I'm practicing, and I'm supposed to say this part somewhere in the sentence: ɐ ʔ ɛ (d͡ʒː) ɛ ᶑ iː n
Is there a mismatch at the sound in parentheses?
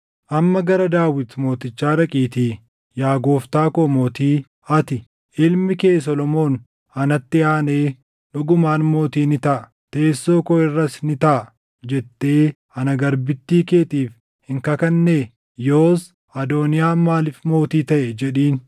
yes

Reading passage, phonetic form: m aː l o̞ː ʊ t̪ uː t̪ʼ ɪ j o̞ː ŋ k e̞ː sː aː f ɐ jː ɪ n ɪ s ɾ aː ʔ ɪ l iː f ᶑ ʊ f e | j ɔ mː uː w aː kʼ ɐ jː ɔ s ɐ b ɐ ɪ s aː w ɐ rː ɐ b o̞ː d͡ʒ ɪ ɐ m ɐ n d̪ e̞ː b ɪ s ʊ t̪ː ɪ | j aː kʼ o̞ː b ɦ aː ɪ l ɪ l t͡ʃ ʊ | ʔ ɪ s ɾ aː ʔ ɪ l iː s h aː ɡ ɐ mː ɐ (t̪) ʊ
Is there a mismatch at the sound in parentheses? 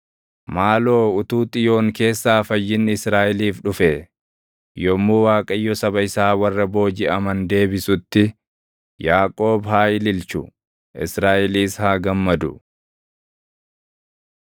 yes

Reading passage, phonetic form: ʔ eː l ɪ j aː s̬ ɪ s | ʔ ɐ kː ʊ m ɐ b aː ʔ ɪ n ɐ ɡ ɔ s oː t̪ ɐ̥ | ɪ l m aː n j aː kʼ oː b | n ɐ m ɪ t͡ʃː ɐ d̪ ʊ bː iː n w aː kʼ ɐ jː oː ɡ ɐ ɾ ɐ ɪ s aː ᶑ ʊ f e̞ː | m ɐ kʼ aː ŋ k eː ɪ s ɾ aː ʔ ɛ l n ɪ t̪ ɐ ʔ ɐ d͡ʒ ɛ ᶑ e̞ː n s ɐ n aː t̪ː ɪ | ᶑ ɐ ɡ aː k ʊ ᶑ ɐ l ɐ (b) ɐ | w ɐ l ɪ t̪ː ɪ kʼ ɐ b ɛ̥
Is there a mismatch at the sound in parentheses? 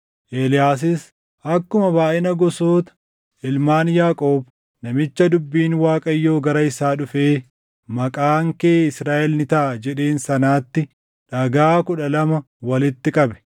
yes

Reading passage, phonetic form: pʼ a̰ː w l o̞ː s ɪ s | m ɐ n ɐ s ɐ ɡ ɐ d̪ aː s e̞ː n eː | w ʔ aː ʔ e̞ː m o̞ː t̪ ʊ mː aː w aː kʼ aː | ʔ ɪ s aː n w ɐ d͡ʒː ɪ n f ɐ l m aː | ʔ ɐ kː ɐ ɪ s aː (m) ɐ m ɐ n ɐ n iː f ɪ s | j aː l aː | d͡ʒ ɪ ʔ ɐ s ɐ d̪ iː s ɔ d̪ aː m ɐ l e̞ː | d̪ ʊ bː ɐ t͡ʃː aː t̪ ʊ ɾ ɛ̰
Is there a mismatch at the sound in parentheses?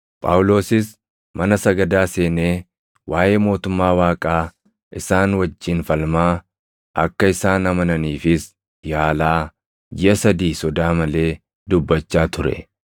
yes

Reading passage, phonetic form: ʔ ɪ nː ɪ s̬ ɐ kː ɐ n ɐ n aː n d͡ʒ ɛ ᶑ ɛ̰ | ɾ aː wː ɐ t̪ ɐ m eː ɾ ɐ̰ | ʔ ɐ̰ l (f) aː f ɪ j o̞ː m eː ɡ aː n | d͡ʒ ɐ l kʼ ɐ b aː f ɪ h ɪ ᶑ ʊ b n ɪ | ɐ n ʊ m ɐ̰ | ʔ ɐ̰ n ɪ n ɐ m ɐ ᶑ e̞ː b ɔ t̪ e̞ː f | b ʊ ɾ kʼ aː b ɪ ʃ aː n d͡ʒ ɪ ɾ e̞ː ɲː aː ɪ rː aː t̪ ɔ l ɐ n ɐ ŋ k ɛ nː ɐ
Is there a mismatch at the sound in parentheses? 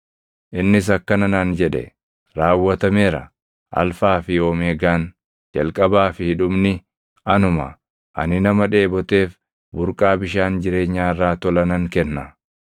no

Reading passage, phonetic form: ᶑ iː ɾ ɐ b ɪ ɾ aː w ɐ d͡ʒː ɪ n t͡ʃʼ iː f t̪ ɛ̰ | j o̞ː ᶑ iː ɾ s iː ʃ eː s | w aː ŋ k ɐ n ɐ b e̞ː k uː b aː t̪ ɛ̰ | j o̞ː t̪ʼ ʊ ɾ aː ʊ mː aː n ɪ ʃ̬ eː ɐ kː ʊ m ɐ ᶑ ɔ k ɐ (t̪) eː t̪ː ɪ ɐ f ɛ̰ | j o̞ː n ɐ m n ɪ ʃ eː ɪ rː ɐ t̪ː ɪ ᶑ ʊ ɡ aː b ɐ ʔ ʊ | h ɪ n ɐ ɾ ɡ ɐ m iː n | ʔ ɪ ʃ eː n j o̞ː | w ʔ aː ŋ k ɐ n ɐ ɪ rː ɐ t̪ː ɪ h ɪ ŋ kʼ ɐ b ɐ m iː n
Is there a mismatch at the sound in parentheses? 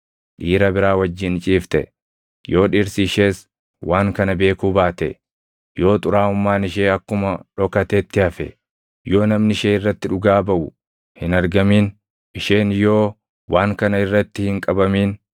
no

